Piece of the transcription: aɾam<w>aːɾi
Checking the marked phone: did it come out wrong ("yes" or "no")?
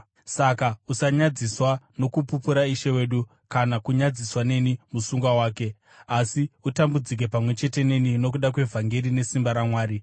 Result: no